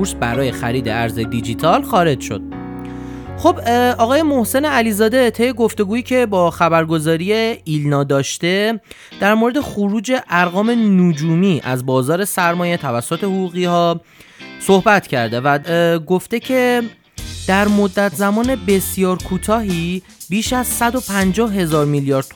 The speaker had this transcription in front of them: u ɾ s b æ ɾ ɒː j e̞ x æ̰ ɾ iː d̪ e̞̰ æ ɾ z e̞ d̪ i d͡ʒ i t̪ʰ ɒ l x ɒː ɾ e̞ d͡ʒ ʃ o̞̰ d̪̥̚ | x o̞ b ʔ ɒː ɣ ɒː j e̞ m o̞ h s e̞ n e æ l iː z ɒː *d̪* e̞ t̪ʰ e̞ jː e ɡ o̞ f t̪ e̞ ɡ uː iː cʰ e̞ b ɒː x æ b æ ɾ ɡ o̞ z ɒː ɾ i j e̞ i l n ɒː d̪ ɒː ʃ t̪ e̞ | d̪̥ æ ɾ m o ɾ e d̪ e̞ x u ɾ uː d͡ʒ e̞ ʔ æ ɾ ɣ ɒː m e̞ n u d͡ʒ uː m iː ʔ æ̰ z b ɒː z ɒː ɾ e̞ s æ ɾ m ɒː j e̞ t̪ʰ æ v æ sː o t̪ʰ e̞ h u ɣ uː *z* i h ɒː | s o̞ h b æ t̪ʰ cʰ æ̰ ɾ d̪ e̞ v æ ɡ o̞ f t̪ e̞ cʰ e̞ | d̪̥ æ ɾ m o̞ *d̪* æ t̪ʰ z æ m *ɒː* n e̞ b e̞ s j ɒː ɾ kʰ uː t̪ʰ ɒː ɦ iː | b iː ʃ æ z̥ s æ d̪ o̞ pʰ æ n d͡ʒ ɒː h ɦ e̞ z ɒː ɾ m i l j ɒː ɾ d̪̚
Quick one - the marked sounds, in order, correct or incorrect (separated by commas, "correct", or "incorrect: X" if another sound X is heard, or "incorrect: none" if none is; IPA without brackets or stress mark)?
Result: correct, incorrect: ɣ, incorrect: d̪ː, correct